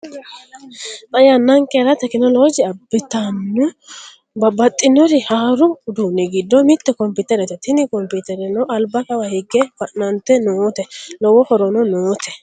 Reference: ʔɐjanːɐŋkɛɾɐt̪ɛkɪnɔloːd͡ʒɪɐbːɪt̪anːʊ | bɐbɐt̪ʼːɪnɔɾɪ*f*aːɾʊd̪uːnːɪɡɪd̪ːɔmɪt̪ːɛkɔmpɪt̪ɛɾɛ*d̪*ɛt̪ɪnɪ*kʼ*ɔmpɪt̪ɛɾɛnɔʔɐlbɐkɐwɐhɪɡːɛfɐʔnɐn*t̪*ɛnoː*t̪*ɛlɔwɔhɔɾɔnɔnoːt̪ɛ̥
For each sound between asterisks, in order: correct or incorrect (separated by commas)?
incorrect, incorrect, incorrect, correct, correct